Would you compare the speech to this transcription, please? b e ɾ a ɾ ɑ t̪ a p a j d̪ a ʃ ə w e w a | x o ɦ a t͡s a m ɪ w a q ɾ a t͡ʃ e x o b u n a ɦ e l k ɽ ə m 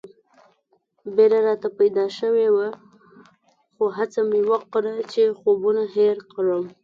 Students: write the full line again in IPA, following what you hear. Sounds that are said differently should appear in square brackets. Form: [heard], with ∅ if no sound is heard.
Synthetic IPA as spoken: b e ɾ a ɾ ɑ t̪ a p a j d̪ [ɑ] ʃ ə w e w a | x o ɦ a t͡s a m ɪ w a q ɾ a t͡ʃ e x o b u n a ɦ e [ɾ] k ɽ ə m